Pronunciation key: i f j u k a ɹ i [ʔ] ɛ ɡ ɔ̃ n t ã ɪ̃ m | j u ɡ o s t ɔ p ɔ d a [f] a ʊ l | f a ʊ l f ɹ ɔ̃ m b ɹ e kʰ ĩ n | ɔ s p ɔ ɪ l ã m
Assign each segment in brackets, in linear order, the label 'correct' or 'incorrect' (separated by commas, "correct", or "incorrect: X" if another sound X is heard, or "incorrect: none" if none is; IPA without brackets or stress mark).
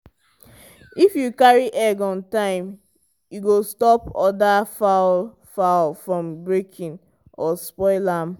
correct, correct